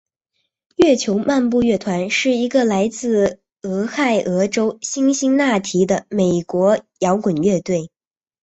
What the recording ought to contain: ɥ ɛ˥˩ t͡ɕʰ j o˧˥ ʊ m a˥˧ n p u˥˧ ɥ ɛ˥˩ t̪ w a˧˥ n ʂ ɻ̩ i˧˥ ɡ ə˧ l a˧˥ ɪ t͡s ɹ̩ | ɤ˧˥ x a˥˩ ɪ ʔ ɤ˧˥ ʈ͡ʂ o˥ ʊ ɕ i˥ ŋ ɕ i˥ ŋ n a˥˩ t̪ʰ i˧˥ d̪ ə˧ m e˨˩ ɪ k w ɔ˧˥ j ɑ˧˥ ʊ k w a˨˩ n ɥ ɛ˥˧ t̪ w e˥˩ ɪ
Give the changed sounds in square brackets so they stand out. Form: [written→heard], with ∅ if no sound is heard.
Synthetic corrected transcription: ɥ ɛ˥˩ t͡ɕʰ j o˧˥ ʊ m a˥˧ n p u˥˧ ɥ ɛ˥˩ [t̪→t̪ʰ] w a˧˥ n ʂ ɻ̩ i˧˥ ɡ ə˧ l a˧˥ ɪ t͡s ɹ̩ | ɤ˧˥ x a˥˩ ɪ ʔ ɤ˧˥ ʈ͡ʂ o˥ ʊ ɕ i˥ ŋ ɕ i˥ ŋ n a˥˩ t̪ʰ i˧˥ d̪ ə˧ m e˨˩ ɪ k w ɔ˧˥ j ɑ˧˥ ʊ k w [a˨˩→ə˨˩] n ɥ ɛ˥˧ t̪ w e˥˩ ɪ

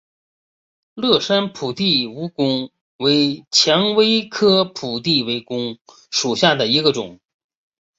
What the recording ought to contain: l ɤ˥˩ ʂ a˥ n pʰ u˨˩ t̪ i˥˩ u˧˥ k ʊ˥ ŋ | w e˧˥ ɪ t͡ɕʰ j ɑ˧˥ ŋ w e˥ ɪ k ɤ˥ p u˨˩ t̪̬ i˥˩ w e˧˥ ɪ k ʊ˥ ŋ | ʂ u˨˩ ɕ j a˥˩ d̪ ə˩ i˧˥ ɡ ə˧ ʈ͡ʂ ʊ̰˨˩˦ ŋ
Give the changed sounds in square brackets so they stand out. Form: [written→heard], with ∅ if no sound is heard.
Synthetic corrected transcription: l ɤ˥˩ ʂ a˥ n pʰ u˨˩ t̪ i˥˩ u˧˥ k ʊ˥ ŋ | w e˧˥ ɪ t͡ɕʰ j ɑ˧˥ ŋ w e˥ ɪ [k→kʰ] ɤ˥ [p→pʰ] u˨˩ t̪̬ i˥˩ w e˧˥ ɪ k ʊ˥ ŋ | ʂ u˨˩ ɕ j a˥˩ d̪ ə˩ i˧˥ ɡ ə˧ ʈ͡ʂ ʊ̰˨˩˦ ŋ

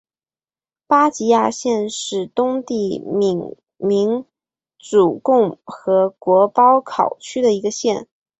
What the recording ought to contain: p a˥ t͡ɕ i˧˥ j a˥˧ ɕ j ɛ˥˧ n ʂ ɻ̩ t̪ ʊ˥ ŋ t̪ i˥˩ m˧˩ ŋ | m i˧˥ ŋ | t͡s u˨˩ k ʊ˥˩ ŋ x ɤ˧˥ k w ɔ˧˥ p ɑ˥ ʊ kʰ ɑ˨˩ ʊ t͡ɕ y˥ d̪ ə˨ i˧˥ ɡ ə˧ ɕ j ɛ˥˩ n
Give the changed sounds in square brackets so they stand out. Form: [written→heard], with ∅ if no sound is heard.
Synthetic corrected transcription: p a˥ t͡ɕ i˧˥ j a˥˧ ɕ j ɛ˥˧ n ʂ ɻ̩ t̪ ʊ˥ ŋ t̪ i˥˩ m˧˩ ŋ | m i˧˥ ŋ | t͡s u˨˩ k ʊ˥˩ ŋ x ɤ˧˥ k w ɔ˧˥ p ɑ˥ ʊ kʰ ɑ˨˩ ʊ [t͡ɕ→t͡ɕʰ] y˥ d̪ ə˨ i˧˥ ɡ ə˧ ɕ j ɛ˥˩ n

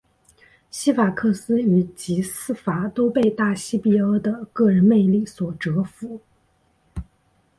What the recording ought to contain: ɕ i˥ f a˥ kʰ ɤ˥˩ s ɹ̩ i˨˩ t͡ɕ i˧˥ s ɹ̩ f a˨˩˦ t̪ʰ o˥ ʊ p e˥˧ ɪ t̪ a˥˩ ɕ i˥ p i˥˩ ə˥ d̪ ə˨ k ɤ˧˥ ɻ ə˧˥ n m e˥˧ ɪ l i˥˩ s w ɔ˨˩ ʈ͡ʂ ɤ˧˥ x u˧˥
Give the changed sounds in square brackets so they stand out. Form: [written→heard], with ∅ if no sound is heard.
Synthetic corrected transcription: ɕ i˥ f [a˥→a˨˩] kʰ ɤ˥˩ s ɹ̩ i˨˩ t͡ɕ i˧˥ s ɹ̩ f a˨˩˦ [t̪ʰ→t̪] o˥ ʊ p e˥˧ ɪ t̪ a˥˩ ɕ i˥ p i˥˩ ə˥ d̪ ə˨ k [ɤ˧˥→ɤ˥˩] ɻ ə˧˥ n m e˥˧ ɪ l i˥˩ s w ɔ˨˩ ʈ͡ʂ ɤ˧˥ [x→f] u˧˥

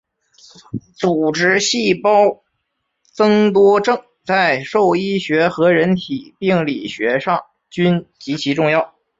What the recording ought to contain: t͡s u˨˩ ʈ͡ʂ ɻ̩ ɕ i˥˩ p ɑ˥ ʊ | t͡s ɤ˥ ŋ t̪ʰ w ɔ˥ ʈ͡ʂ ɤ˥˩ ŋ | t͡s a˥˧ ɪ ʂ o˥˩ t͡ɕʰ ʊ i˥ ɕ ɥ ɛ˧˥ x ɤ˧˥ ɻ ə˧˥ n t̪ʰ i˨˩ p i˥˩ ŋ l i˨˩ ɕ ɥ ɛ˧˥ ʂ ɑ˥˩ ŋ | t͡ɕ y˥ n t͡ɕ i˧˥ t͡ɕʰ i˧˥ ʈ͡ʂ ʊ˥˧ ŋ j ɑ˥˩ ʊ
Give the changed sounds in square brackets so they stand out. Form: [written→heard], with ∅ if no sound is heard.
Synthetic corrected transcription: t͡s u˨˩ ʈ͡ʂ ɻ̩ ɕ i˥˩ p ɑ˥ ʊ | t͡s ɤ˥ ŋ [t̪ʰ→t̪] w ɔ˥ ʈ͡ʂ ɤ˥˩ ŋ | t͡s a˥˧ ɪ ʂ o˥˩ [t͡ɕʰ→∅] ʊ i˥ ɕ ɥ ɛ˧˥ x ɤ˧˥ ɻ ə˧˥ n t̪ʰ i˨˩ p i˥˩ ŋ l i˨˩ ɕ ɥ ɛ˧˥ ʂ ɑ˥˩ ŋ | t͡ɕ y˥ n t͡ɕ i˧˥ t͡ɕʰ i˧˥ ʈ͡ʂ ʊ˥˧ ŋ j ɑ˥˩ ʊ

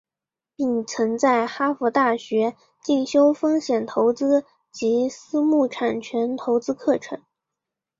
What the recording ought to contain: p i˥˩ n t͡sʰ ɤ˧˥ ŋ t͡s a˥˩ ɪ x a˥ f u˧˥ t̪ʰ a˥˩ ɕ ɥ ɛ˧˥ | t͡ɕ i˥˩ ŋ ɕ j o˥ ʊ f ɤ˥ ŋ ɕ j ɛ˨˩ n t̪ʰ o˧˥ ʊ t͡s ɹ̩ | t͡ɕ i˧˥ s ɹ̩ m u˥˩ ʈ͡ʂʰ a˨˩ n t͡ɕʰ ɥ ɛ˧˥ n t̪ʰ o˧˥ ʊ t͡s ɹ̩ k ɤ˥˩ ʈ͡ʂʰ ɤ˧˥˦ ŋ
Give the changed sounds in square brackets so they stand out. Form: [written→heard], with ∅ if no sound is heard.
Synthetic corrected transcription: p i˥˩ [n→ŋ] t͡sʰ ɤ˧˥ ŋ t͡s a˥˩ ɪ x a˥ f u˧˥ [t̪ʰ→t̪] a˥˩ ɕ ɥ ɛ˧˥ | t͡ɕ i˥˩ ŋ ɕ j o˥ ʊ f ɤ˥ ŋ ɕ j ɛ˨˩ n t̪ʰ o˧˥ ʊ t͡s ɹ̩ | t͡ɕ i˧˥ s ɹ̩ m u˥˩ ʈ͡ʂʰ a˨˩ n t͡ɕʰ ɥ ɛ˧˥ n t̪ʰ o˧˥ ʊ t͡s ɹ̩ [k→kʰ] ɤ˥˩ ʈ͡ʂʰ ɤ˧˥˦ ŋ

